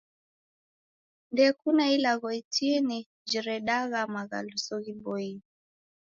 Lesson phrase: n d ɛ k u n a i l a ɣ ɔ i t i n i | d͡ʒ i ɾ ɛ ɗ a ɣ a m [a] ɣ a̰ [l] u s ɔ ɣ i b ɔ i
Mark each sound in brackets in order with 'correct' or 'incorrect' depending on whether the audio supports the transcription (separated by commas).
correct, correct